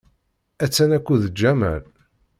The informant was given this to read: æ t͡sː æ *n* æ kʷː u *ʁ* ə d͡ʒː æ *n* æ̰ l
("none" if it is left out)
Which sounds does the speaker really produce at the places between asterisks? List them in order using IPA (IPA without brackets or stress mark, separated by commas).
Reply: n, ð, m